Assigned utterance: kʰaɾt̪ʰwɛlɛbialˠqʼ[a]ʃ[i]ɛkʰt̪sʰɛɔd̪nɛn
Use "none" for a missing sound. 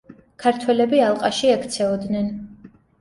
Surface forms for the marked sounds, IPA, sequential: a, i

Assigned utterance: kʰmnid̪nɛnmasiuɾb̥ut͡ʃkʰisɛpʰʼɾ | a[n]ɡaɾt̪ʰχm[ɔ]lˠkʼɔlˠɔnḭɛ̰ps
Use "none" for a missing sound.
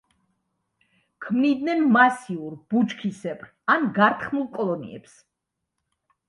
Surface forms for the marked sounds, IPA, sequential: n, u

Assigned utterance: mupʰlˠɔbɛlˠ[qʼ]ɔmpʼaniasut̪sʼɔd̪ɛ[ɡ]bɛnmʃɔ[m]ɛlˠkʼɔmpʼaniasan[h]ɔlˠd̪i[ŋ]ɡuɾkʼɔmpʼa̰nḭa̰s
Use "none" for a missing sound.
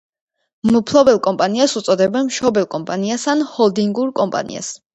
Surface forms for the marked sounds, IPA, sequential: kʼ, none, b, h, ŋ

